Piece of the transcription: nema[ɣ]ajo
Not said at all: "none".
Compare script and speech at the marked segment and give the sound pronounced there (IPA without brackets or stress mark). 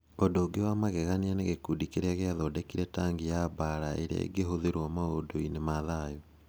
ð